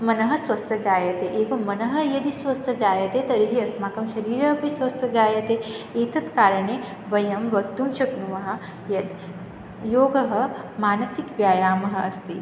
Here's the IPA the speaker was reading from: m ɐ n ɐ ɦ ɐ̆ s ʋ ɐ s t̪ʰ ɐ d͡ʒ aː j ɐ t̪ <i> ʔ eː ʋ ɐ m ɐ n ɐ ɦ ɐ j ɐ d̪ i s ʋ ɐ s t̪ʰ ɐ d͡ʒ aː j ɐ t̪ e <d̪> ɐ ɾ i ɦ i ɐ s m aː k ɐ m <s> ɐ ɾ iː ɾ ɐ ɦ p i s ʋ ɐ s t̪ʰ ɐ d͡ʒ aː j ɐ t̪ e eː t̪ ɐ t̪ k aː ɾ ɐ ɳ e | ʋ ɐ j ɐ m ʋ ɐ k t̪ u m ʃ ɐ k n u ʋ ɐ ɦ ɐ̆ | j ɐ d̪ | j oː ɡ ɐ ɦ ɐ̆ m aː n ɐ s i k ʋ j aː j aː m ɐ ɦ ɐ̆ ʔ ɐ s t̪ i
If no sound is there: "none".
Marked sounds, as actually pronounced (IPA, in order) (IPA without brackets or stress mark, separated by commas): e, t̪, ʃ